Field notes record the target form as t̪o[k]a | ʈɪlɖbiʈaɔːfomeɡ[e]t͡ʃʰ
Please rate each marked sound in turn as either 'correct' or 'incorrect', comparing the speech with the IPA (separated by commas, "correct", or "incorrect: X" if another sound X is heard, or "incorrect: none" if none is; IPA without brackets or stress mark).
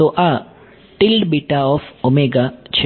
incorrect: ʔ, incorrect: a